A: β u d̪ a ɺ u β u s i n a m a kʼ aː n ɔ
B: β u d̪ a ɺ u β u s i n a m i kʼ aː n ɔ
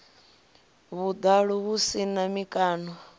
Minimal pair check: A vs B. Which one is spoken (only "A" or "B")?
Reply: B